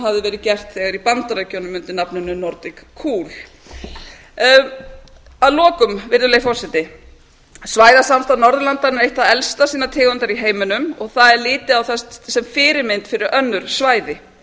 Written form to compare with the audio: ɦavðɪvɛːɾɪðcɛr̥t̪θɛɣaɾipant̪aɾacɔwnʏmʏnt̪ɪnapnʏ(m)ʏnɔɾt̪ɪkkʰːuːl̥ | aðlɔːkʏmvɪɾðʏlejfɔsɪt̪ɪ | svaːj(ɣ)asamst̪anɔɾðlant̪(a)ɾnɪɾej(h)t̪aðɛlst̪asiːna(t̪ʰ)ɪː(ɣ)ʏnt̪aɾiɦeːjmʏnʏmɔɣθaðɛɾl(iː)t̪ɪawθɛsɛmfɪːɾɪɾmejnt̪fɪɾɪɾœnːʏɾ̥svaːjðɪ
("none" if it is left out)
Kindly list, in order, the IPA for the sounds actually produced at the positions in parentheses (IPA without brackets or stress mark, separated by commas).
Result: n, ð, a, h, t̪ʰ, ɣ, ɪː